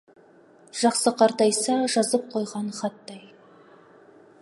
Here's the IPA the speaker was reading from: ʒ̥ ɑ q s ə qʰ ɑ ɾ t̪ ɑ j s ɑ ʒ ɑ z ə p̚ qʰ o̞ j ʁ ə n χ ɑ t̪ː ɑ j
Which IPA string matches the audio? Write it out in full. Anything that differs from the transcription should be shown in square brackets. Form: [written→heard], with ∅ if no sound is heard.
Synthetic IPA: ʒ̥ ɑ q s ə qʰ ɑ ɾ t̪ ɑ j s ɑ ʒ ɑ z ə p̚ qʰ o̞ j ʁ [ə→ɑ] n χ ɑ t̪ː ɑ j